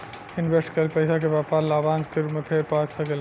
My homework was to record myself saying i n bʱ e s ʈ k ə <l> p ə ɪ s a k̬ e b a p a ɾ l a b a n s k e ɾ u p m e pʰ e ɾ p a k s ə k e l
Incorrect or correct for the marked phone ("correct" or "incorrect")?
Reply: correct